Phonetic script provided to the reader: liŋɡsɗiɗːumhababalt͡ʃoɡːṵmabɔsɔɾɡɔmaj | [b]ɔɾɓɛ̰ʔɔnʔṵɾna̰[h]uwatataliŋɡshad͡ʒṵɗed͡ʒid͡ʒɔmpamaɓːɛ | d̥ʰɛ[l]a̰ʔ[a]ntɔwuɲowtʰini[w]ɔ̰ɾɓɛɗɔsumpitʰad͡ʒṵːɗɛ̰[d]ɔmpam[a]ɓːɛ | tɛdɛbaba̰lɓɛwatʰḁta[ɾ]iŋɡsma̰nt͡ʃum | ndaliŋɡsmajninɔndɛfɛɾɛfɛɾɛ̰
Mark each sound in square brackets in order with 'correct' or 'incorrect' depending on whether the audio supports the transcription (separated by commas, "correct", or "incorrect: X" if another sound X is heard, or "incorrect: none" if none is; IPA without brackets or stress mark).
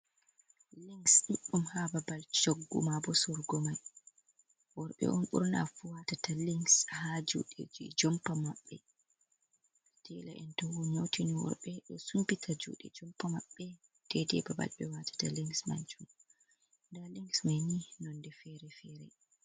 incorrect: w, incorrect: f, correct, incorrect: ɛ, correct, incorrect: d͡ʒ, correct, incorrect: l